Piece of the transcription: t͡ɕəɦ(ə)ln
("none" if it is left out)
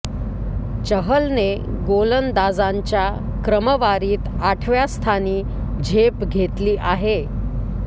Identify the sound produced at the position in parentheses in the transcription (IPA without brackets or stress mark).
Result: ə